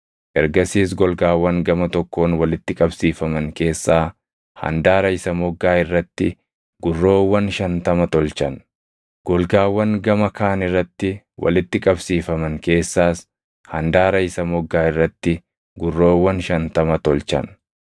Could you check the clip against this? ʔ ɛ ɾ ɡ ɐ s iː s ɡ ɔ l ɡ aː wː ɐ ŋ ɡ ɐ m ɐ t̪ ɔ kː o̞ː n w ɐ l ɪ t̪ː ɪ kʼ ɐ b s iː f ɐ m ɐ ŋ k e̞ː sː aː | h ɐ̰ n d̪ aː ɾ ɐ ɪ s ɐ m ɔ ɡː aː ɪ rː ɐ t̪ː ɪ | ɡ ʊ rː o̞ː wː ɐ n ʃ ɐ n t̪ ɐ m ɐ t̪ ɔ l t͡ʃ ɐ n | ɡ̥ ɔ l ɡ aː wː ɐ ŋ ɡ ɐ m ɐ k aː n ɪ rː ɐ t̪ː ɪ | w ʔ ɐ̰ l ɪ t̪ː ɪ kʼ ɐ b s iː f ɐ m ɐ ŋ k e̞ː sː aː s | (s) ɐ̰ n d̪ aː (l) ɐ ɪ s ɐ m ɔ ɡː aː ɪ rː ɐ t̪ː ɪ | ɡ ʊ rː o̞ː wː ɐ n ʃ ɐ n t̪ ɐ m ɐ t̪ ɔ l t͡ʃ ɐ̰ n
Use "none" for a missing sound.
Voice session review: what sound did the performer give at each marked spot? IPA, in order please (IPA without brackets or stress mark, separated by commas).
h, ɾ